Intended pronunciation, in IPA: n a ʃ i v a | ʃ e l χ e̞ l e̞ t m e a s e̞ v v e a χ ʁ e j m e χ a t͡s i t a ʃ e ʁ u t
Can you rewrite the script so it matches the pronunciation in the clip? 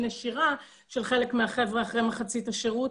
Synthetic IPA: n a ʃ i ʁ a | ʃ e l χ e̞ l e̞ k m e a χ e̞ v ʁ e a χ ʁ e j m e χ a t͡s i t a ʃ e ʁ u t